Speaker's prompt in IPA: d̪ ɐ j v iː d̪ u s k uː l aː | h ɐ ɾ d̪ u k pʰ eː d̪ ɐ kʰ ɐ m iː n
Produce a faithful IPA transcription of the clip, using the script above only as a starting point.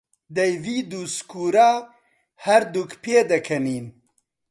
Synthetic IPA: d̪ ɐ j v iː d̪ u s k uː ɾ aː | h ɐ ɾ d̪ u k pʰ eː d̪ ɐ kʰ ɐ n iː n